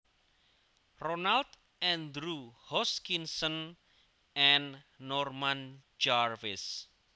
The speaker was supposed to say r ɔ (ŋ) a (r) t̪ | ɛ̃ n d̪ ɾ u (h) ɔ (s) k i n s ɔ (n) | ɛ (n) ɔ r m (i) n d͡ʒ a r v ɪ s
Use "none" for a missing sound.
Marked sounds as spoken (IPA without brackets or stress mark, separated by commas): n, l, h, s, n, nː, a